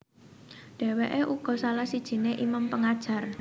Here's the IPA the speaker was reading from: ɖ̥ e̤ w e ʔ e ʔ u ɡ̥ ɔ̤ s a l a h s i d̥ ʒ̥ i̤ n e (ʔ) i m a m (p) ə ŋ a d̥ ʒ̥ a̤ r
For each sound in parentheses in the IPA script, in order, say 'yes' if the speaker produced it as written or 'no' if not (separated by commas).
yes, yes